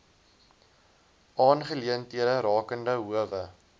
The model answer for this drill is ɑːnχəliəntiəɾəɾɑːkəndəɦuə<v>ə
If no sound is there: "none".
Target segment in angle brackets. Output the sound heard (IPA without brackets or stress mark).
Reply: v